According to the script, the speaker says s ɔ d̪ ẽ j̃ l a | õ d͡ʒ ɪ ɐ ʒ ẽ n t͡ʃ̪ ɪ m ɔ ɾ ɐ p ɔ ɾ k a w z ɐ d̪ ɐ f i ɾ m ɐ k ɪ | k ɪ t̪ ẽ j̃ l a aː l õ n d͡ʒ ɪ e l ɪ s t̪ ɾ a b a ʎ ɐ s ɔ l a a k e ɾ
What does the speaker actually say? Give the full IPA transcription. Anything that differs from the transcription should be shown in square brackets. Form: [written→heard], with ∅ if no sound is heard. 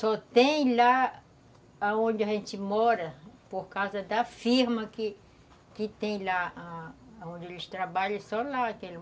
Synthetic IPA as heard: s ɔ [d̪→t̪] ẽ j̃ l a | õ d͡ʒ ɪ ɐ ʒ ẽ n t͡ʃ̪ ɪ m ɔ ɾ ɐ p [ɔ→o] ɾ k a w z ɐ d̪ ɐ f i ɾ m ɐ k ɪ | k ɪ t̪ ẽ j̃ l a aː [l→∅] õ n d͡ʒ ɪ e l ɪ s t̪ ɾ a b a ʎ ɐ s ɔ l a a k e [ɾ→l]

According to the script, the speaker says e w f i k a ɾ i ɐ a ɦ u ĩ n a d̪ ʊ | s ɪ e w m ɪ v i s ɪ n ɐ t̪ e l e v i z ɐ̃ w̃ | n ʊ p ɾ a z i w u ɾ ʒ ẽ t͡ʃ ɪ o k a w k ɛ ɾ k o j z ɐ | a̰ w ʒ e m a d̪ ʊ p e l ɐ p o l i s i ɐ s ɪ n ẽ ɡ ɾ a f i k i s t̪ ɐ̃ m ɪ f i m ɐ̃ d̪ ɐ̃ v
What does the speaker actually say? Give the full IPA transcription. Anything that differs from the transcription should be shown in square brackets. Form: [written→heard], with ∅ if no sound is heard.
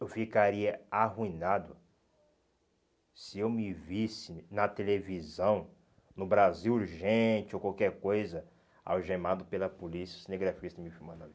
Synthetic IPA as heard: e w f i k a ɾ i ɐ a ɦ u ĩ n a d̪ ʊ | s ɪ e w m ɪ v i s ɪ n ɐ t̪ e l e v i z ɐ̃ w̃ | n ʊ [p→b] ɾ a z i w u ɾ ʒ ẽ t͡ʃ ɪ o k a w k ɛ ɾ k o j z ɐ | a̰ w ʒ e m a d̪ ʊ p e l ɐ p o l i s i ɐ s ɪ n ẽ ɡ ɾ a f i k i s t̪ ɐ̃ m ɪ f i m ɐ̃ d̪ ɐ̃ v

